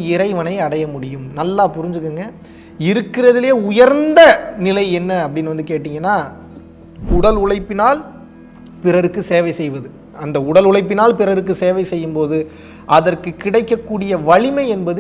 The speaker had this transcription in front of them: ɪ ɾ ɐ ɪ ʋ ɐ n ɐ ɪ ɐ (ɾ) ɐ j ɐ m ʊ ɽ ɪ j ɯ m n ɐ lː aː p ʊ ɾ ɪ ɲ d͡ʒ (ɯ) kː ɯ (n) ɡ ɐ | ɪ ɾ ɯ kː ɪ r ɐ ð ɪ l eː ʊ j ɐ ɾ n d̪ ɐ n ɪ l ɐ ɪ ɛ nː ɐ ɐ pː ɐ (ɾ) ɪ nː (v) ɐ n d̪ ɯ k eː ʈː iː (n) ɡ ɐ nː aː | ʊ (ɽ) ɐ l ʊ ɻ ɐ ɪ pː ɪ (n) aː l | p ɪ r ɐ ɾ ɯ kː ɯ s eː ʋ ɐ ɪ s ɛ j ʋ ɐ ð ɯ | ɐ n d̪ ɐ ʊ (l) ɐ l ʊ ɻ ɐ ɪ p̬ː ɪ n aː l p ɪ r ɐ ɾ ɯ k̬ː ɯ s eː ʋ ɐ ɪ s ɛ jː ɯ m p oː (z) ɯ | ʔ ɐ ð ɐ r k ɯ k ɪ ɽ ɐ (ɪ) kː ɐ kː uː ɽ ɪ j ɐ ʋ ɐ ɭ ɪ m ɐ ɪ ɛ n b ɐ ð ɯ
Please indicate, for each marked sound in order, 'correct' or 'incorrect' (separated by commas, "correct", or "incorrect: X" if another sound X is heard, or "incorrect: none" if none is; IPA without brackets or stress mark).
incorrect: ɽ, correct, incorrect: ŋ, incorrect: ɽ, incorrect: ʋ, incorrect: ŋ, correct, correct, incorrect: ɽ, incorrect: ð, correct